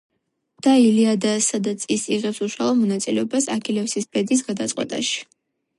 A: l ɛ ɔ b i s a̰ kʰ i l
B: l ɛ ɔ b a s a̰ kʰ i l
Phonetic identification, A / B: B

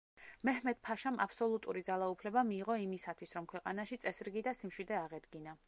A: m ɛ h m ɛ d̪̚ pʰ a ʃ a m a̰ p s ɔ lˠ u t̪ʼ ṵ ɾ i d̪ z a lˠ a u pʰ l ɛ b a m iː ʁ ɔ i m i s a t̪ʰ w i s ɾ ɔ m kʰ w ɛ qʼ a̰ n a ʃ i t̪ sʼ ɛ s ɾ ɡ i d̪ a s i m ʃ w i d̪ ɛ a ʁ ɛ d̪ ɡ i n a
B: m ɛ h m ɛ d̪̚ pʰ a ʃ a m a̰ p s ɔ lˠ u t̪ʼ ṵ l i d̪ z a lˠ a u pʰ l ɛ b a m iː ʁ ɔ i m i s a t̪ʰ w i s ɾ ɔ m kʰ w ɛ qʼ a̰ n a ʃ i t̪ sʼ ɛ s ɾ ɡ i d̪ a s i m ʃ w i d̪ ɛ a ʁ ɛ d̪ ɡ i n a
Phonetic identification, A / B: A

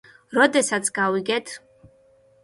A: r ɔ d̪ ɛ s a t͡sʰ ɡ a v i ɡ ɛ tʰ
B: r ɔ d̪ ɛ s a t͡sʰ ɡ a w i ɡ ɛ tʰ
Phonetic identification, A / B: B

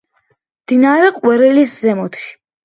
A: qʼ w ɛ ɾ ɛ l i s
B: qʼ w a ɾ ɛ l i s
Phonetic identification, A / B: A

